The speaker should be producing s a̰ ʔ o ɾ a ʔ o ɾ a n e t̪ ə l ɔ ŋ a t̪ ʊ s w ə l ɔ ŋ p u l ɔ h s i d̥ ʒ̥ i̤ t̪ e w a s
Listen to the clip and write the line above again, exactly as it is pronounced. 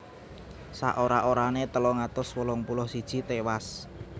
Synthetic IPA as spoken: s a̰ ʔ o ɾ a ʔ o ɾ a n e t̪ ə l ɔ ŋ a t̪ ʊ s w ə l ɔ ŋ p u l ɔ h s i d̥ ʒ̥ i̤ t̪ e w a s